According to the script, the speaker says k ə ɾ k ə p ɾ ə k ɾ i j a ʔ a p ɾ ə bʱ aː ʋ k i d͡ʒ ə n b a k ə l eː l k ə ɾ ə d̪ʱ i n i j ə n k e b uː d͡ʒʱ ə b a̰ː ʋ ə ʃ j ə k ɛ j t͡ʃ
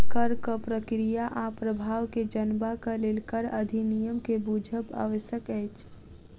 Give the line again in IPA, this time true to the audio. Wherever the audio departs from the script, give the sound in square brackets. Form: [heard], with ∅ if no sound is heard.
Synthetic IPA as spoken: k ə ɾ k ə p ɾ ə k ɾ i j a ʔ a p ɾ ə bʱ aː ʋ k [e] d͡ʒ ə n b a k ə l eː l k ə ɾ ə d̪ʱ i n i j ə [m] k e b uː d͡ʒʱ ə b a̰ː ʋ ə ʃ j ə k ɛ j t͡ʃ